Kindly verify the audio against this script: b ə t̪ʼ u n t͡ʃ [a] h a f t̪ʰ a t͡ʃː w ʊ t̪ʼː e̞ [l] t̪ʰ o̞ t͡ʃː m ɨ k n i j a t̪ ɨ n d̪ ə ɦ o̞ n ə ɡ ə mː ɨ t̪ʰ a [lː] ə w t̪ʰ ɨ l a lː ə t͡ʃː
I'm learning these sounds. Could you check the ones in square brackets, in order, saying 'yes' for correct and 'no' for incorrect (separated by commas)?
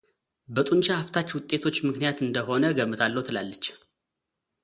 yes, no, yes